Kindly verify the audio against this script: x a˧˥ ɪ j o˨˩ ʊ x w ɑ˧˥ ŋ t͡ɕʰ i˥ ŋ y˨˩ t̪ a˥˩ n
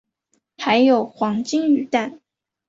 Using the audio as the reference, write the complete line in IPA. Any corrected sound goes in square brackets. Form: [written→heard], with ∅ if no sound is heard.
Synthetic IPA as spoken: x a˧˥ ɪ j o˨˩ ʊ x w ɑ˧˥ ŋ [t͡ɕʰ→t͡ɕ] i˥ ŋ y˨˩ t̪ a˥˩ n